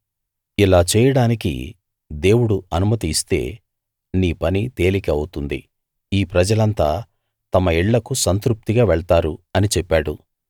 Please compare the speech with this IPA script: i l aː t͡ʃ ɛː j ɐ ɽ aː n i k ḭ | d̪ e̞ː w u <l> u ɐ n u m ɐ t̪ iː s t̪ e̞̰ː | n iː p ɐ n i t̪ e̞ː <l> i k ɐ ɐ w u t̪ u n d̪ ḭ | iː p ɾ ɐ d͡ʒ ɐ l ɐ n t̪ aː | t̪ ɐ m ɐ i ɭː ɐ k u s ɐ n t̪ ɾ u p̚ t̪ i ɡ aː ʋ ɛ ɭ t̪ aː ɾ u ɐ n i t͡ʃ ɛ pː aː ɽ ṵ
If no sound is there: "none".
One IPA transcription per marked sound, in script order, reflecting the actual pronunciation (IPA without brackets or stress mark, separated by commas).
ɽ, l